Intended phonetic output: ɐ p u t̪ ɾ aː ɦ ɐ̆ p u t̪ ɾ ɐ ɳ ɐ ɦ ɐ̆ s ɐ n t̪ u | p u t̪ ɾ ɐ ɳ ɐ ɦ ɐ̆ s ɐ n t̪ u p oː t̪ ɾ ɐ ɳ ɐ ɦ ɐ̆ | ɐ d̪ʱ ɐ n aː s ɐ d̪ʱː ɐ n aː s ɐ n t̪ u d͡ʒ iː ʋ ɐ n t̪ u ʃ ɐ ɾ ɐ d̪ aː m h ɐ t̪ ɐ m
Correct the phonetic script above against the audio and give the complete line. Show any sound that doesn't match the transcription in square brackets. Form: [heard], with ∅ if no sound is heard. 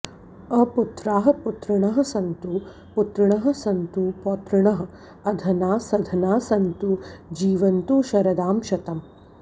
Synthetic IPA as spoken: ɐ p u t̪ ɾ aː ɦ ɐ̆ p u t̪ ɾ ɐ ɳ ɐ ɦ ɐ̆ s ɐ n t̪ u | p u t̪ ɾ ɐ ɳ ɐ ɦ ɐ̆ s ɐ n t̪ u p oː t̪ ɾ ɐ ɳ ɐ ɦ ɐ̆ | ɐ d̪ʱ ɐ n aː s ɐ [d̪ʱ] ɐ n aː s ɐ n t̪ u d͡ʒ iː ʋ ɐ n t̪ u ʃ ɐ ɾ ɐ d̪ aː m [ʃ] ɐ t̪ ɐ m